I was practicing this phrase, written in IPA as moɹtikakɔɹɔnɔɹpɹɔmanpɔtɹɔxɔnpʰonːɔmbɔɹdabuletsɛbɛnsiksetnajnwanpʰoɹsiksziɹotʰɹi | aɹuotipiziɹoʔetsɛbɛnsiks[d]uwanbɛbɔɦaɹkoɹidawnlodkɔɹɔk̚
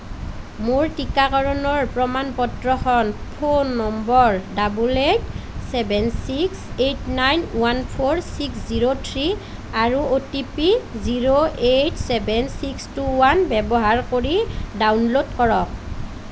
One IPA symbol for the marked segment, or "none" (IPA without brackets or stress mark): t